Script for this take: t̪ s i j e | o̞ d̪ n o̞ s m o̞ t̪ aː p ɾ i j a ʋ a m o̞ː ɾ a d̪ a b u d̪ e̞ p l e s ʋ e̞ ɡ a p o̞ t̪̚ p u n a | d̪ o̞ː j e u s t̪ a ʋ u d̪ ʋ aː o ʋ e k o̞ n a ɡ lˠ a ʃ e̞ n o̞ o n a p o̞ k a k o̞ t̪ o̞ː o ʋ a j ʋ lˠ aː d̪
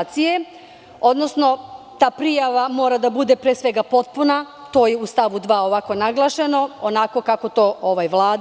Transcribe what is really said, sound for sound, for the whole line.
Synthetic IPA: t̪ s i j e | o̞ d̪ n o̞ s n o̞ t̪ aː p ɾ i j a ʋ a m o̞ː ɾ a d̪ a b u d̪ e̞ p ɾ e s ʋ e̞ ɡ a p o̞ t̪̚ p u n a | t̪ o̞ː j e u s t̪ a ʋ u d̪ ʋ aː o ʋ a k o̞ n a ɡ lˠ a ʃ e̞ n o̞ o n a k o̞ k a k o̞ t̪ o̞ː o ʋ a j ʋ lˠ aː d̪